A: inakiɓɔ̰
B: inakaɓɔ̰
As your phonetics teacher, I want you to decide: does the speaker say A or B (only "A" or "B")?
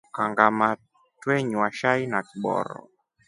A